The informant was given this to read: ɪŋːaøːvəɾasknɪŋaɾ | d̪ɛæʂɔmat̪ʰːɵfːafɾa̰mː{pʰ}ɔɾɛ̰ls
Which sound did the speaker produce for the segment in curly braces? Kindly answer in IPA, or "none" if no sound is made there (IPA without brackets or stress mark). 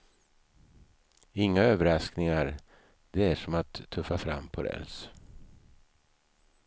pʰ